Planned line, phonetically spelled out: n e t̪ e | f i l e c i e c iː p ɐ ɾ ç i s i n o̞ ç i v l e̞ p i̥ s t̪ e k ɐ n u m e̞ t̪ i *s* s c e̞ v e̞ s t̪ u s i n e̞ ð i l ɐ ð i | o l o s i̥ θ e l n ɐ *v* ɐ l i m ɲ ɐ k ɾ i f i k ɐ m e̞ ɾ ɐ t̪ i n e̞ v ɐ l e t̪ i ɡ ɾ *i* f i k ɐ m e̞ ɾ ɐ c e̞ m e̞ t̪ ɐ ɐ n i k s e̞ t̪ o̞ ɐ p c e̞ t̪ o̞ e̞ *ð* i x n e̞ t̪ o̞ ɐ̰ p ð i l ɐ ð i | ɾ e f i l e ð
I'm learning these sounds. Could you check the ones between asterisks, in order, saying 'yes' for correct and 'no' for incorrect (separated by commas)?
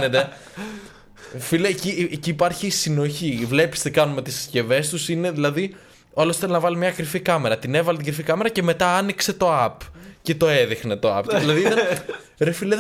yes, yes, yes, yes